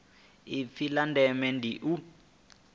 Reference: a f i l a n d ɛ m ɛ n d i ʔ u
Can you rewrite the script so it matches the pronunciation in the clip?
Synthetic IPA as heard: i f i l a n d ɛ m ɛ n d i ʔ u

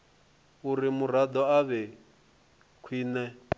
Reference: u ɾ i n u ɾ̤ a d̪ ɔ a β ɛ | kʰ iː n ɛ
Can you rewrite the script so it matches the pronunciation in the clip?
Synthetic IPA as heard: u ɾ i m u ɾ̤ a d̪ ɔ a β ɛ | kʰ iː n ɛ

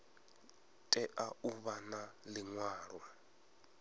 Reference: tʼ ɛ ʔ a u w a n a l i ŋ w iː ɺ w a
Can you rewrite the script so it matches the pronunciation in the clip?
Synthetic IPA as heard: tʼ ɛ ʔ a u β a n a l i ŋ w aː ɺ w a

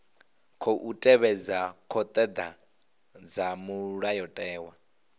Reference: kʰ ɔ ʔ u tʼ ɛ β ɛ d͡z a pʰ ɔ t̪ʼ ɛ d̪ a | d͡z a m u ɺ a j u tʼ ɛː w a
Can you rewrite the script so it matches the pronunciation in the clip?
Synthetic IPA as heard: kʰ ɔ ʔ u tʼ ɛ β ɛ d͡z a kʰ ɔ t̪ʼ ɛ d̪ a | d͡z a m u ɺ a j ɔ tʼ ɛː w a

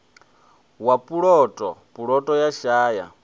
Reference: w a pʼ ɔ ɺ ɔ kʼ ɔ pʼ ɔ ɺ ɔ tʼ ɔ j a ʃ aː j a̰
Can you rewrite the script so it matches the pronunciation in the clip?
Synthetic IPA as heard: w a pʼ u ɺ ɔ tʼ ɔ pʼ u ɺ ɔ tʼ ɔ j a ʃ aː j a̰

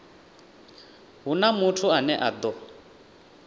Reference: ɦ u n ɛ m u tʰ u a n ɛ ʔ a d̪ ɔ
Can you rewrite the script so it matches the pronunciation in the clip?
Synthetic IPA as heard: ɦ u n a m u tʰ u a n ɛ ʔ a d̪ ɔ

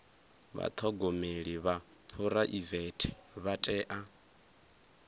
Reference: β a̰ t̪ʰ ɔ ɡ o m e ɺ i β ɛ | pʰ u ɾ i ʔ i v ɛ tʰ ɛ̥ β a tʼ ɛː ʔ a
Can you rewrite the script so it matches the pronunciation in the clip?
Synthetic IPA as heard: β a̰ t̪ʰ ɔ ɡ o m e ɺ i β a | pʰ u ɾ a ʔ i v ɛ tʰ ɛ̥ β a tʼ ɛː ʔ a

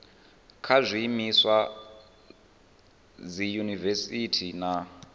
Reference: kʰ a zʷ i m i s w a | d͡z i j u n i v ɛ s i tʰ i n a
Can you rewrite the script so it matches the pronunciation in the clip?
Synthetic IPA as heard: kʰ a zʷ i m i s w a | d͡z i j u n i v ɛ s i tʰ i n a

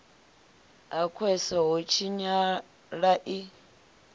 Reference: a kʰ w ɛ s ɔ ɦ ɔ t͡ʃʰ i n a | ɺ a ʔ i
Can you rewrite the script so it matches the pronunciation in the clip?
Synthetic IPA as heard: a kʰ w ɛ s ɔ ɦ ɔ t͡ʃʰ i ɲ a | ɺ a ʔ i

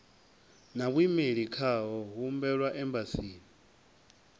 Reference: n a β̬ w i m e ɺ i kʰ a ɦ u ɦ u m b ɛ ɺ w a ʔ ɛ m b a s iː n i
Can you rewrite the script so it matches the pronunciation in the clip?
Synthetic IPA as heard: n a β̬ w i m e ɺ i kʰ a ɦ ɔ ɦ u m b ɛ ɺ w a ʔ ɛ m b a s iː n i

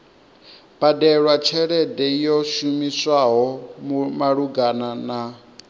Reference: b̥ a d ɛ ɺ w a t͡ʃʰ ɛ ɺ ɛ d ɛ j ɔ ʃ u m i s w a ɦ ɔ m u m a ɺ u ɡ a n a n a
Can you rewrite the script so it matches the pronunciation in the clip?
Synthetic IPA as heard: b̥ a d ɛ ɺ w a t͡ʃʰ ɛ ɺ ɛ d ɛ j ɔ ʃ u m i s w a ɦ ɔ m u m a ɺ u ɡ a n a n a

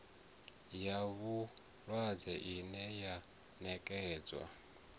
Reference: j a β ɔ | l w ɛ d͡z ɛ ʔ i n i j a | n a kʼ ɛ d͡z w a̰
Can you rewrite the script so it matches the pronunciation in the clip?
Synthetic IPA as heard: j a β u | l w a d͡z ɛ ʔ i n ɛ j a | n ɛ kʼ ɛː d͡z w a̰

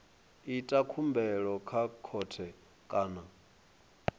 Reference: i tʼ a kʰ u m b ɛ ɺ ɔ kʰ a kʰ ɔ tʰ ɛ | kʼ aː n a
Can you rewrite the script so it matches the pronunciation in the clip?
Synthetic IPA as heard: i tʼ a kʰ u m b ɛ ɺ ɔ kʰ a kʰ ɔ tʰ ɛ | kʼ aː n a

